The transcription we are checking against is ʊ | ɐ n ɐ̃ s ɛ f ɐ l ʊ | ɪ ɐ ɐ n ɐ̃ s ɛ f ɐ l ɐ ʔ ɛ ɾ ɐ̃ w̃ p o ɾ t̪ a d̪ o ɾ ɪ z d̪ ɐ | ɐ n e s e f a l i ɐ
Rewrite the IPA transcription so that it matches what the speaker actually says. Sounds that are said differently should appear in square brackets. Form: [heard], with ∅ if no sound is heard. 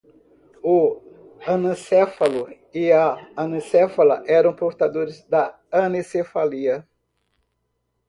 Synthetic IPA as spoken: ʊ | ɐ n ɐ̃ s ɛ f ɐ l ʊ | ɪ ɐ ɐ n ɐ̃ s ɛ f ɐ l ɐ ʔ ɛ ɾ ɐ̃ w̃ p o ɾ t̪ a d̪ o ɾ ɪ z d̪ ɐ | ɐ n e s e f a l i ɐ